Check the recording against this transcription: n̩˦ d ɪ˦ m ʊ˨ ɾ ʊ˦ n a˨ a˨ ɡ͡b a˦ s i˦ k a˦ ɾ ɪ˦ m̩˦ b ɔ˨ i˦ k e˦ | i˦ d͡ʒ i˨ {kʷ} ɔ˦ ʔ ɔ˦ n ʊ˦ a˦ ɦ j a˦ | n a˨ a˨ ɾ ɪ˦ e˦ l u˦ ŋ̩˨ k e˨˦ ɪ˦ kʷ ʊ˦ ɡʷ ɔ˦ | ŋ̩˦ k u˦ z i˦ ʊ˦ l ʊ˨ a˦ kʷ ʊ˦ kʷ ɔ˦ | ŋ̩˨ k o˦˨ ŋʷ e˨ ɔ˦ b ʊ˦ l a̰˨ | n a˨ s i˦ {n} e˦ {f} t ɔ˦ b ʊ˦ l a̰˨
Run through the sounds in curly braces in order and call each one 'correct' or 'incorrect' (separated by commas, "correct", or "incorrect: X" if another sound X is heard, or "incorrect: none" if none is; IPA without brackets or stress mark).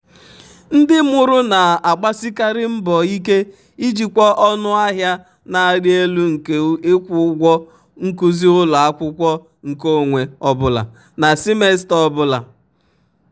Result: correct, incorrect: m, incorrect: s